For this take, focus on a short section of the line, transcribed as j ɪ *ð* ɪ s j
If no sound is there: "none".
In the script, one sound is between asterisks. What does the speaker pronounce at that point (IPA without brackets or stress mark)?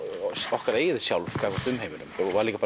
ð